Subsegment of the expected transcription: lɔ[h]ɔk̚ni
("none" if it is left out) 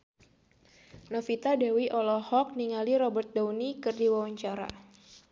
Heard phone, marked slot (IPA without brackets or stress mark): h